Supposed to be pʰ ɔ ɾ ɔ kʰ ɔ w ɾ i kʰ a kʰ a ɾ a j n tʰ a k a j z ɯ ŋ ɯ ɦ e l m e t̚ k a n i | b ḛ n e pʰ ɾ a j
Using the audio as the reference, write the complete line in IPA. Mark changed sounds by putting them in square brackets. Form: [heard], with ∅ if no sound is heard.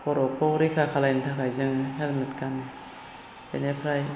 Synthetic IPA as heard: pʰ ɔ ɾ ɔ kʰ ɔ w ɾ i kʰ a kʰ a [l] a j n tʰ a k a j z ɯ ŋ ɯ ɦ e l m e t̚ k a n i | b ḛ n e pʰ ɾ a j